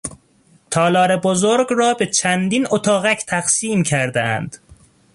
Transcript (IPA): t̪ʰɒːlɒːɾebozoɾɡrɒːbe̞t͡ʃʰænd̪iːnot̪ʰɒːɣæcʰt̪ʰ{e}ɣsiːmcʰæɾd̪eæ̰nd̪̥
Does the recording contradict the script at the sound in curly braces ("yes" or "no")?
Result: yes